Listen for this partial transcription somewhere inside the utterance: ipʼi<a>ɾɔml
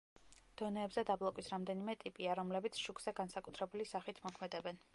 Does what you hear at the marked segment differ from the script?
no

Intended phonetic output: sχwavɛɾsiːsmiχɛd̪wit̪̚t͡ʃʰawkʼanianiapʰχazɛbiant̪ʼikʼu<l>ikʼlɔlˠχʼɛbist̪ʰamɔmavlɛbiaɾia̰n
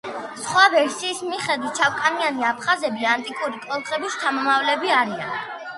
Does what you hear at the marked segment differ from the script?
yes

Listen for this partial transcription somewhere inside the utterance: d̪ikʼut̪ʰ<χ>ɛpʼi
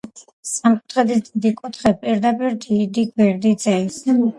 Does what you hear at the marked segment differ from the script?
no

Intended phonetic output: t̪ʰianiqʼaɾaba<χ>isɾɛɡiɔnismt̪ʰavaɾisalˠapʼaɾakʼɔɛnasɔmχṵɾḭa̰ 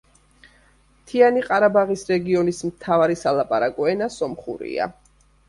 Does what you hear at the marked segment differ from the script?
yes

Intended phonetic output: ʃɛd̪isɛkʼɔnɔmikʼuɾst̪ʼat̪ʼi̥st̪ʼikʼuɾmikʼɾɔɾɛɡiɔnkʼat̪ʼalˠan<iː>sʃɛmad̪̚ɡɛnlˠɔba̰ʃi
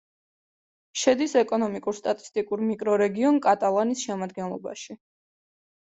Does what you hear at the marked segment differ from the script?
yes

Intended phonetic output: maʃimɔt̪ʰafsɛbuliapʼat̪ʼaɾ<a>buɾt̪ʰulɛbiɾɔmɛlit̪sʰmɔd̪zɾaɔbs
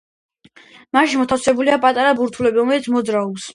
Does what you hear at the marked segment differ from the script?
no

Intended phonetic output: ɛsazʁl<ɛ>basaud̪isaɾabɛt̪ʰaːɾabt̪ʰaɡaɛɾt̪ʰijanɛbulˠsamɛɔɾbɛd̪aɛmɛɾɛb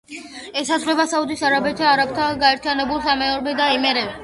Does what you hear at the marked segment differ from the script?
no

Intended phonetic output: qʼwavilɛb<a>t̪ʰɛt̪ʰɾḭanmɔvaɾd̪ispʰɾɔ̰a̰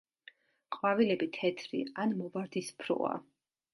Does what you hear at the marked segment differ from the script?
yes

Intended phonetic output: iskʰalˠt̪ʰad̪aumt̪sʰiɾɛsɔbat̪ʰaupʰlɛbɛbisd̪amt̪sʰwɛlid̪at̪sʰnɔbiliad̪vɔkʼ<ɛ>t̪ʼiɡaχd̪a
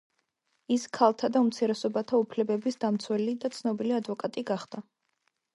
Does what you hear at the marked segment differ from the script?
yes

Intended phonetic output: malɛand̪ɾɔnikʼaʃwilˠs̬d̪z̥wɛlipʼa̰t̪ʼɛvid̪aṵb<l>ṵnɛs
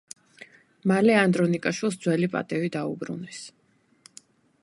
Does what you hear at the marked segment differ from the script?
yes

